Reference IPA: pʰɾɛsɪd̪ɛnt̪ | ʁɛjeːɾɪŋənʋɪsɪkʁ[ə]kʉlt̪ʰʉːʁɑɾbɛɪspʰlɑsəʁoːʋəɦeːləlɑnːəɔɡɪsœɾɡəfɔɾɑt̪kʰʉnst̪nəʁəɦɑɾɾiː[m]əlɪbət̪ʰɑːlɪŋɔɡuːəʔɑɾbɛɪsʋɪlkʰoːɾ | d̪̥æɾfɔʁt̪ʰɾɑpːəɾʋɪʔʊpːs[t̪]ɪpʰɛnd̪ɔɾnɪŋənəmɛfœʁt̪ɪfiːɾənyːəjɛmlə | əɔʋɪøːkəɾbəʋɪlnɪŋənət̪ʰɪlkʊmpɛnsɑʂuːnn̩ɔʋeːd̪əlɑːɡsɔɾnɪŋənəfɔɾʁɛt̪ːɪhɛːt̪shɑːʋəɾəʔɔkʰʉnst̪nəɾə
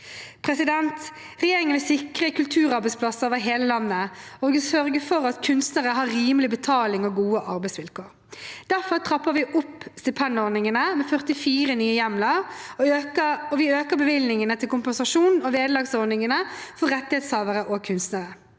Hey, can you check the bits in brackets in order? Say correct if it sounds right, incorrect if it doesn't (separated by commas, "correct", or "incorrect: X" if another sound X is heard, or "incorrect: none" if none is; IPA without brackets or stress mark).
correct, correct, correct